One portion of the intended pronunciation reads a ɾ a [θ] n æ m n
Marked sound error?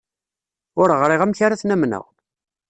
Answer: no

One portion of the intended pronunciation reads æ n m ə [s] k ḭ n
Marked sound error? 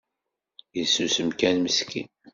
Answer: no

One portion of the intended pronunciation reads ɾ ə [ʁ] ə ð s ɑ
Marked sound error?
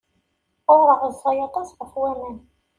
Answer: no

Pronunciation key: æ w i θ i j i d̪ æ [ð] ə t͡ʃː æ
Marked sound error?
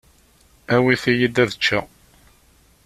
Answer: no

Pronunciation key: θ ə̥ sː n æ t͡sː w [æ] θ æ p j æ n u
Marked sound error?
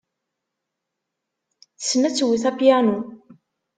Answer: yes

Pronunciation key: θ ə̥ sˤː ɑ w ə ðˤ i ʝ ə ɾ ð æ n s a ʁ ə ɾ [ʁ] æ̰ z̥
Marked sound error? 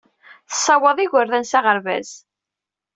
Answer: yes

